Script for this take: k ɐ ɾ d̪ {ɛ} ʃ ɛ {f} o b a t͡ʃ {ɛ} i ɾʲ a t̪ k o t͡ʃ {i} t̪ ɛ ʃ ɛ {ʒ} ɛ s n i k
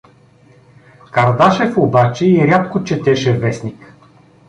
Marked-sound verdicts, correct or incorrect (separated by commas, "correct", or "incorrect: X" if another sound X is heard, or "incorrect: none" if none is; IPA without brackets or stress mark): incorrect: a, correct, correct, incorrect: ɛ, incorrect: v